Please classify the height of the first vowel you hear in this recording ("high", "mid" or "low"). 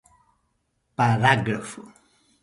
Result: low